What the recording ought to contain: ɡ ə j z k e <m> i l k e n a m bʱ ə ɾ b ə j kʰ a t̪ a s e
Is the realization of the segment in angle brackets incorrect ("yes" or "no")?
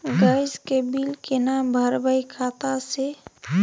yes